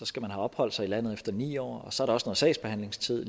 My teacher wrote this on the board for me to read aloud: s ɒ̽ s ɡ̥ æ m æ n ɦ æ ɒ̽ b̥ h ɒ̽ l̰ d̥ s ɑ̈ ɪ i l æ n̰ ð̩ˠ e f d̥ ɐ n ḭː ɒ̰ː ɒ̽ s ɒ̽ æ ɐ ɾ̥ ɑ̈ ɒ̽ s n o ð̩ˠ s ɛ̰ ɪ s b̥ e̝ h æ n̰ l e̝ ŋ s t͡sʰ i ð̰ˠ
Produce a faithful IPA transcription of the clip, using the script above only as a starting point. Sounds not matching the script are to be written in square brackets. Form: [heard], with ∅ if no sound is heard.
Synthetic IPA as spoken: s ɒ̽ s ɡ̥ æ m æ n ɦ æ ɒ̽ b̥ h ɒ̽ l̰ d̥ s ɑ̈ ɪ i l æ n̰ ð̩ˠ e f d̥ ɐ n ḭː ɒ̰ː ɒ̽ s ɒ̽ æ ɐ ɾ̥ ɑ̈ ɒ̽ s n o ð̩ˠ s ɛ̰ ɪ s b̥ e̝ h æ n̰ l e̝ ŋ s t͡sʰ i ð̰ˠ